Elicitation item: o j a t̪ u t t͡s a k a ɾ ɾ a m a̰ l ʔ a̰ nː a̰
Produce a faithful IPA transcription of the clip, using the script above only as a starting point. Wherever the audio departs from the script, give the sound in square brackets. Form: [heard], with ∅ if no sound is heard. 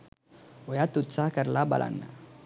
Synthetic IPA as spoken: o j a t̪ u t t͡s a k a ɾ [l] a [b] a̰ l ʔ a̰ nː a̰